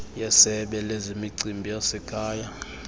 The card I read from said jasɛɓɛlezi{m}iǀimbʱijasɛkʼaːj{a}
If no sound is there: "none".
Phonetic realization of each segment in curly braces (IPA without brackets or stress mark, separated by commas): m, a